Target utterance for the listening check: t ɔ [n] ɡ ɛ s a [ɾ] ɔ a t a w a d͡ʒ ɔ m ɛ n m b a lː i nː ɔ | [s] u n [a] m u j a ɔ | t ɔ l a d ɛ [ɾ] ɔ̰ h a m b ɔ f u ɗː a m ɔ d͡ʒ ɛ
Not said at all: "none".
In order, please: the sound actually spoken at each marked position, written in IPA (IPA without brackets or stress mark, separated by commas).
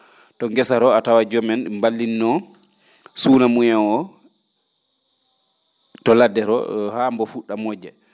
ŋ, ɾ, s, a, ɾ